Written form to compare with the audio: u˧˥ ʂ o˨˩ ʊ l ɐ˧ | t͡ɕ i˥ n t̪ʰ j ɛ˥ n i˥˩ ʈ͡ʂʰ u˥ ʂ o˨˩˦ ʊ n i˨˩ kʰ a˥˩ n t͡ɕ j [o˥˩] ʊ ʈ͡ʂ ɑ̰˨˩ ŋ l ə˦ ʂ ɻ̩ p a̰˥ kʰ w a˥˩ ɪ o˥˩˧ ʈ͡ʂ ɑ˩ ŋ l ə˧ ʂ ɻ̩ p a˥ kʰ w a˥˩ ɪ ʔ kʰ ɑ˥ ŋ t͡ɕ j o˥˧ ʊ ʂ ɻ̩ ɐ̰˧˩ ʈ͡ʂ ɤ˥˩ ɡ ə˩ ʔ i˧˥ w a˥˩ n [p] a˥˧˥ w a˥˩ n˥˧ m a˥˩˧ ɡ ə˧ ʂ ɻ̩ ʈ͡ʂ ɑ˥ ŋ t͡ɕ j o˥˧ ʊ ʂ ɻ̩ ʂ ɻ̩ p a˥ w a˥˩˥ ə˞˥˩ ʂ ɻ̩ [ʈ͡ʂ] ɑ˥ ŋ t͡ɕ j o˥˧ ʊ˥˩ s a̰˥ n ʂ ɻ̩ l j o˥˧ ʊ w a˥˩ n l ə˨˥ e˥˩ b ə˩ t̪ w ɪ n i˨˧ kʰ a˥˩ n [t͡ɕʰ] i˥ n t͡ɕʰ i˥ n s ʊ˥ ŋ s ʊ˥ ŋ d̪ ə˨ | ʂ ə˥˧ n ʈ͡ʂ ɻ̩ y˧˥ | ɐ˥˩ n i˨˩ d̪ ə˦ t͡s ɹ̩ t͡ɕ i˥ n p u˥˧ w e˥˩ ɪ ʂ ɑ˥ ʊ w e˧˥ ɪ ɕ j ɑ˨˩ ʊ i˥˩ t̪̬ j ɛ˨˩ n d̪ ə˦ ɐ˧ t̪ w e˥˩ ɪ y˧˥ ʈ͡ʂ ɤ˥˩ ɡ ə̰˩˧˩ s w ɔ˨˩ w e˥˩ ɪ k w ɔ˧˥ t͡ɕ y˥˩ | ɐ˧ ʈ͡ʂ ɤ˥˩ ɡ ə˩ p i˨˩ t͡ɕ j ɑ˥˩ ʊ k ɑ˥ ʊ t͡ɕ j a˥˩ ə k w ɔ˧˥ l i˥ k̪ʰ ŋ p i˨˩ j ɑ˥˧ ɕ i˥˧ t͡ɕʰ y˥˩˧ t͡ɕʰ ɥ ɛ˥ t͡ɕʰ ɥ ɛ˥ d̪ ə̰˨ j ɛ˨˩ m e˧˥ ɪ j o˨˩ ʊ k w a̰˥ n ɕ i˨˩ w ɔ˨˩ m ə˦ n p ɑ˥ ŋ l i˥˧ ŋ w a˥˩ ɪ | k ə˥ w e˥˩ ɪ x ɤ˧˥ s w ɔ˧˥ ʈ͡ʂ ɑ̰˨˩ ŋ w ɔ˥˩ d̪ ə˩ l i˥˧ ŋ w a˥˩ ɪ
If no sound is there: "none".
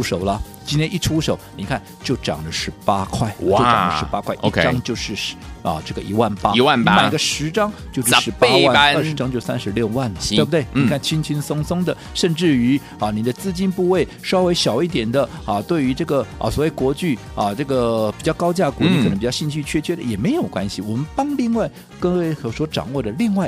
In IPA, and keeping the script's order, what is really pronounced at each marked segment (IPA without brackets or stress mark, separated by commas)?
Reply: o˥˩, p, ʈ͡ʂ, t͡ɕʰ